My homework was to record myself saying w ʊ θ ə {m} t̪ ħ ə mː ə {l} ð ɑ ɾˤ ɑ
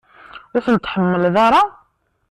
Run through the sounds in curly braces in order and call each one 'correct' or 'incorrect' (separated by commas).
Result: incorrect, correct